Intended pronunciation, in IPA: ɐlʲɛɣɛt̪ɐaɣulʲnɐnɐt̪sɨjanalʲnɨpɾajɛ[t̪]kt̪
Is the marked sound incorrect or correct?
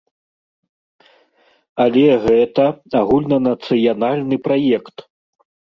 incorrect